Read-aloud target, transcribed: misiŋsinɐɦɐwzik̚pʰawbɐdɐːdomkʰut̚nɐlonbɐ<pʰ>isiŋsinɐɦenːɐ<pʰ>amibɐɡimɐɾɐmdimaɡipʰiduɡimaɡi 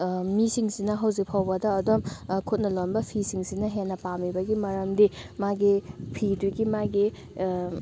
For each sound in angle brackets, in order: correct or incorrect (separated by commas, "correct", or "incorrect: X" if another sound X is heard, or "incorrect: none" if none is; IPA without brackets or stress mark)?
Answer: correct, incorrect: p